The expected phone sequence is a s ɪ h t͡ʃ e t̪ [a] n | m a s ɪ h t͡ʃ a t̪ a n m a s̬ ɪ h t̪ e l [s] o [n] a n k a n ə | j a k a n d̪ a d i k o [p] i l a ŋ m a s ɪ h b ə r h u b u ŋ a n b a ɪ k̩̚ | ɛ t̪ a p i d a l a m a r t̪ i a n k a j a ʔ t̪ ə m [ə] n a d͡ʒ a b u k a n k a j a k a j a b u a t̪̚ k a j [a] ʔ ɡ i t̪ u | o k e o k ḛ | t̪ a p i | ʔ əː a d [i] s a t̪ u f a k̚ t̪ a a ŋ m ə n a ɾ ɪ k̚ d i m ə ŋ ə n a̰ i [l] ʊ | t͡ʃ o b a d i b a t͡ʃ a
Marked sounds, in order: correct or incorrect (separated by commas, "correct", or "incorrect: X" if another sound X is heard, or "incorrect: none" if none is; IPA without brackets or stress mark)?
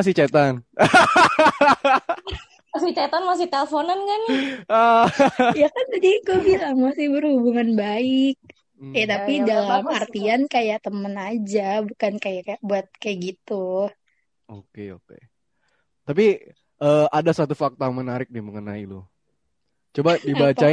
correct, incorrect: f, correct, incorrect: b, correct, correct, incorrect: a, correct